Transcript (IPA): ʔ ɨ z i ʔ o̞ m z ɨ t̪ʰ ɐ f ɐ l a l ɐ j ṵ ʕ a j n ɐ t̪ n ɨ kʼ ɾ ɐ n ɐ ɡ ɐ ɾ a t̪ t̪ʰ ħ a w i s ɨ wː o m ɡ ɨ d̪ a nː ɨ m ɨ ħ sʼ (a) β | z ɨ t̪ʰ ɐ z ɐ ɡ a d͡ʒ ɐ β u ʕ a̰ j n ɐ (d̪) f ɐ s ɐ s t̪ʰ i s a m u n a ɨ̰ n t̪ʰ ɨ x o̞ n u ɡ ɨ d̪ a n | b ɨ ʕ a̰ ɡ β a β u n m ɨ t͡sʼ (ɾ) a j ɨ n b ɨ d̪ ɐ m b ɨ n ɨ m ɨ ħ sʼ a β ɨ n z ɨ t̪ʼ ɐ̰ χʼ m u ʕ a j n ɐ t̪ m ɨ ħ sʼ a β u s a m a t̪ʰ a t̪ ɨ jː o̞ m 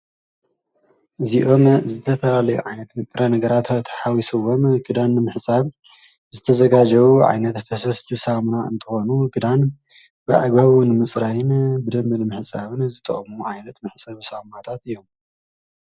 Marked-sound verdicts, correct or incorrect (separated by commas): correct, incorrect, correct